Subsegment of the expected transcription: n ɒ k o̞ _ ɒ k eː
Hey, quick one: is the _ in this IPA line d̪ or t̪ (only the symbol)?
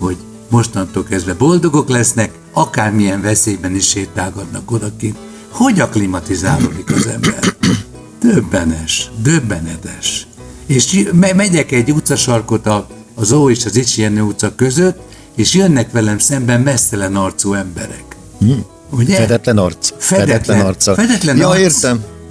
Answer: d̪